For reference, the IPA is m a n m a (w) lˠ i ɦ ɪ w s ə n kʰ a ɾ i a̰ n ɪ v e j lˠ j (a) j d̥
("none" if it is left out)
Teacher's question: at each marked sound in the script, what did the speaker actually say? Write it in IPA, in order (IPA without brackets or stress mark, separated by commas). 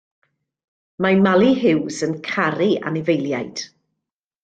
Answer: none, a